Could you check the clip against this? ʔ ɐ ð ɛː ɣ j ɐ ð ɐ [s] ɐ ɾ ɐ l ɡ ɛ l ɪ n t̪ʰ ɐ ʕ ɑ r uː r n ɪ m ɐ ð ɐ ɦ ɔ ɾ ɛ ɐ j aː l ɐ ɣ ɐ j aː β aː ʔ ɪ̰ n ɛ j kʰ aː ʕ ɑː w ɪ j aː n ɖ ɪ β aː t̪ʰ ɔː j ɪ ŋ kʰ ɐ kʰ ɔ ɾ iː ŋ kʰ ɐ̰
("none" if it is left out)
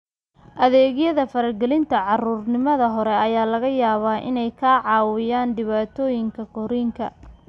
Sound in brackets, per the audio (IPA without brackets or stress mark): f